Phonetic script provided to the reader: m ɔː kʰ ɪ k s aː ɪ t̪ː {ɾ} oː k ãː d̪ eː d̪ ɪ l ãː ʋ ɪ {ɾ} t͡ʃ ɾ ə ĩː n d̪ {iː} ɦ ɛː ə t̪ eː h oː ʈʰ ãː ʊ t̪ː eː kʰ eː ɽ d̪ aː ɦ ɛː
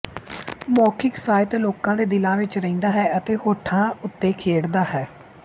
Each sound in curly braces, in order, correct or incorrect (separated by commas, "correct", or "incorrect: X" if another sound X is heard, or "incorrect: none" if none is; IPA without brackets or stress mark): incorrect: l, incorrect: none, incorrect: aː